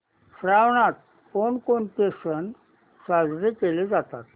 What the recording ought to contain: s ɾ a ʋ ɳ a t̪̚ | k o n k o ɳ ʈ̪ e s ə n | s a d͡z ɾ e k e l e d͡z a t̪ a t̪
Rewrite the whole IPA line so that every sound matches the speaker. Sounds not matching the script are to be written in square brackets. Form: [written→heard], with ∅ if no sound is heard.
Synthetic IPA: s ɾ a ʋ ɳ a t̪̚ | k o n k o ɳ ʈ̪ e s ə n | s a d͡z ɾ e k e l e d͡z a t̪ a t̪